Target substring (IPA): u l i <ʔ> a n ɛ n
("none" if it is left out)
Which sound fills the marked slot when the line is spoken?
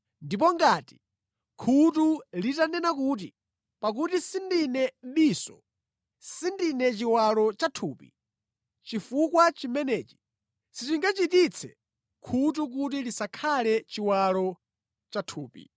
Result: t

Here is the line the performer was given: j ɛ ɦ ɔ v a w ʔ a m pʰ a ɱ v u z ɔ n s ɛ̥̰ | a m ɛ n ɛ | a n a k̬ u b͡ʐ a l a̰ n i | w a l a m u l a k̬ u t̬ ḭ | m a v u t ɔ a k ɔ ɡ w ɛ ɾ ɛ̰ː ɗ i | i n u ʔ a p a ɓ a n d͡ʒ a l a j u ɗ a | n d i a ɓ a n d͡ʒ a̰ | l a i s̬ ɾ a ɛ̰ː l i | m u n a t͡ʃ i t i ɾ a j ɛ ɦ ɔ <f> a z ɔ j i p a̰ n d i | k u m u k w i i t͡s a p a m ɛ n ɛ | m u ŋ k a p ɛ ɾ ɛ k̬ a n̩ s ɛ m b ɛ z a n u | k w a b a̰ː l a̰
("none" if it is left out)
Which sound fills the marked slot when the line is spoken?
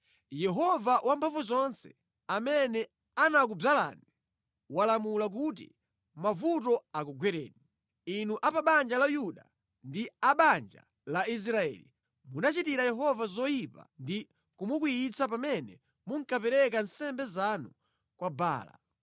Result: v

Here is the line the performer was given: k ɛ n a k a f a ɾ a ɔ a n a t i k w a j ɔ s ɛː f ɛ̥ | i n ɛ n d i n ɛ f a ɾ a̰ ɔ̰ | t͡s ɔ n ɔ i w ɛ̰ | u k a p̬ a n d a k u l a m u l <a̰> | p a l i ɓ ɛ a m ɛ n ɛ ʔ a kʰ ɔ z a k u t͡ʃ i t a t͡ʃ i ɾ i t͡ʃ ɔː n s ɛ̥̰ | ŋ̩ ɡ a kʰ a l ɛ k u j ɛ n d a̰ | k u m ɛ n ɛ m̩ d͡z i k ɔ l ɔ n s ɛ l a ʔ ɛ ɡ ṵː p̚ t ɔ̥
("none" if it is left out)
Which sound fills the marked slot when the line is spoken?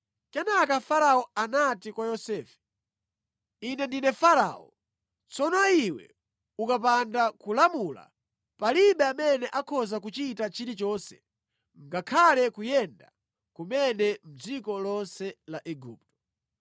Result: a̰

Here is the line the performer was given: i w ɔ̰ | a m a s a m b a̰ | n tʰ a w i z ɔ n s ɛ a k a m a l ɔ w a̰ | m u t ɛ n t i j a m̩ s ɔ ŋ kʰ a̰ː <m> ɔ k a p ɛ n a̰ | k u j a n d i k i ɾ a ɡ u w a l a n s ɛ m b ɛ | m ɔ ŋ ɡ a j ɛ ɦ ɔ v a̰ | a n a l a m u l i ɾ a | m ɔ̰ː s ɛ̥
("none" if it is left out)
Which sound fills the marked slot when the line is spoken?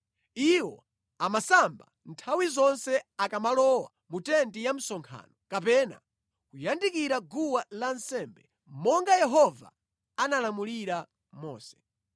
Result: n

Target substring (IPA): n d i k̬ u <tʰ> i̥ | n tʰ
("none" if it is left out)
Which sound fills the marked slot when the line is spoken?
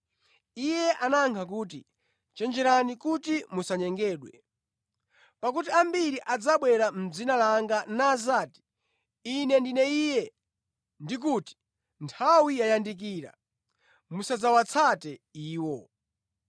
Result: t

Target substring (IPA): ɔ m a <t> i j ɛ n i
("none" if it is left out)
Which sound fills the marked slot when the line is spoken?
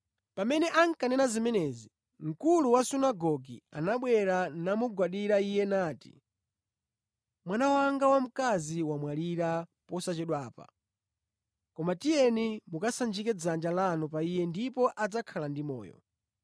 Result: t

